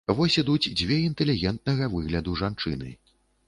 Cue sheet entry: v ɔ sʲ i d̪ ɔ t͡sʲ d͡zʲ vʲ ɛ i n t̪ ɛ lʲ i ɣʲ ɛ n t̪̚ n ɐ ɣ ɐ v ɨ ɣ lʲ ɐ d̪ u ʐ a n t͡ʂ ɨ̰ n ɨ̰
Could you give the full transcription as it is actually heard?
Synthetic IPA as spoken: v ɔ sʲ i d̪ u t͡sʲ d͡zʲ vʲ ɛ i n t̪ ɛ lʲ i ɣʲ ɛ n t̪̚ n ɐ ɣ ɐ v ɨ ɣ lʲ ɐ d̪ u ʐ a n t͡ʂ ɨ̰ n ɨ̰